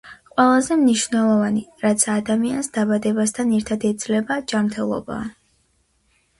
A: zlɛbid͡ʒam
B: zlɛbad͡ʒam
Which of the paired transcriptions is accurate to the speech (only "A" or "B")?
B